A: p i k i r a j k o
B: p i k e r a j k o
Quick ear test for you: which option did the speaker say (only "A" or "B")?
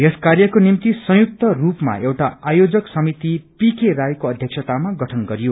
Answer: B